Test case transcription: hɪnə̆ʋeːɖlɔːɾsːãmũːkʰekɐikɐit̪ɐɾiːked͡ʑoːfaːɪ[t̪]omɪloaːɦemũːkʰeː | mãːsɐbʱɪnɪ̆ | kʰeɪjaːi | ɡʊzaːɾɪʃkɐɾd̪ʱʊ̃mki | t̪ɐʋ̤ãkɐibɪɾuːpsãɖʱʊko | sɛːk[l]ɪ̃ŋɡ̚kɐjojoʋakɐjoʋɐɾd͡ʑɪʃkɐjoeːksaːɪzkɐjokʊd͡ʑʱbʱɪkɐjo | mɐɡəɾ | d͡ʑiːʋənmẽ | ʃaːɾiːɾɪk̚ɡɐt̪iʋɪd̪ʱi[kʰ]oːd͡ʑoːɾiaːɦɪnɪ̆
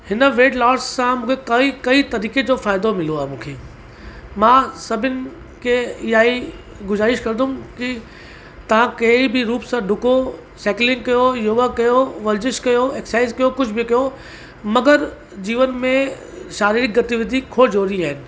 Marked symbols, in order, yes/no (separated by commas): no, yes, yes